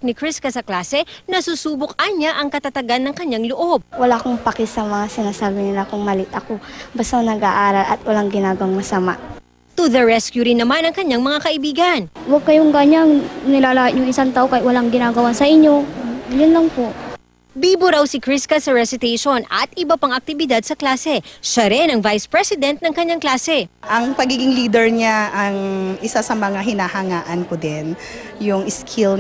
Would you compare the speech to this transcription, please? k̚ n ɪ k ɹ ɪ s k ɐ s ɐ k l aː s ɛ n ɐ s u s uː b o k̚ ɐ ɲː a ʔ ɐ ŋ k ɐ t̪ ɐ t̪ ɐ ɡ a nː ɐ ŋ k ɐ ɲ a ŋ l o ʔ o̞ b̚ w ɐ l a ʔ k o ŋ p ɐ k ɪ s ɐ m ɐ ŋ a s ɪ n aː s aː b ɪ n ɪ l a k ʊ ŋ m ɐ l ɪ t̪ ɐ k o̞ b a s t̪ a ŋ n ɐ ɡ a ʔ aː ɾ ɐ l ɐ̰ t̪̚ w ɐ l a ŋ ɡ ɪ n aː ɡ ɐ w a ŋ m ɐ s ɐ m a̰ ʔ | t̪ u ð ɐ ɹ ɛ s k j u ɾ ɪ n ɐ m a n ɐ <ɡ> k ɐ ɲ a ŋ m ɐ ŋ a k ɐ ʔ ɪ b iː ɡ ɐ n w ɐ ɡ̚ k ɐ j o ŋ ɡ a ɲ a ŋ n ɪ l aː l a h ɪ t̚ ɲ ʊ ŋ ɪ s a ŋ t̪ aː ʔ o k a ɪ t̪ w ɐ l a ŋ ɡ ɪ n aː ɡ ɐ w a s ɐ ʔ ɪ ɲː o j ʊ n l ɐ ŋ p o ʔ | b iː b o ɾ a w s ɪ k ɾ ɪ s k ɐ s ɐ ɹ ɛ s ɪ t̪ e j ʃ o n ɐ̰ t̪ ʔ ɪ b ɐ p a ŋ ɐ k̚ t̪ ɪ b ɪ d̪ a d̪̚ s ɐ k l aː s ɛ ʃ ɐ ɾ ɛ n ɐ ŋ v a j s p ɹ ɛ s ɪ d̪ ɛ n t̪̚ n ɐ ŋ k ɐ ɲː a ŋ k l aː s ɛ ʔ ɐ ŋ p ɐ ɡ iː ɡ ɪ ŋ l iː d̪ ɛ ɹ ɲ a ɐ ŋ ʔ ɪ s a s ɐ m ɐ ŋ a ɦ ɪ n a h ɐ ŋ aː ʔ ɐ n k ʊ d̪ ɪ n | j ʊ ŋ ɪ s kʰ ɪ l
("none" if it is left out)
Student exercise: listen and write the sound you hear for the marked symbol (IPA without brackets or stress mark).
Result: ŋ